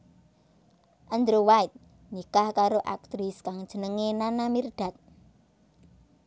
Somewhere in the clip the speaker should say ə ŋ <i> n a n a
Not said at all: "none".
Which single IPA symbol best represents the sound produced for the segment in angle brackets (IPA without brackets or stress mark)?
e